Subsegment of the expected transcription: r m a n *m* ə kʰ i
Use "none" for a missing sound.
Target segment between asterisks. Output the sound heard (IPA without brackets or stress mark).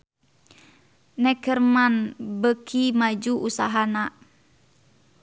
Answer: b